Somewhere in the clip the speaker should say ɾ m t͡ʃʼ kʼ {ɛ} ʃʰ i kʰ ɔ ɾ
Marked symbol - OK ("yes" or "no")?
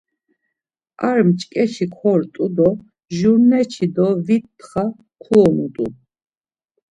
yes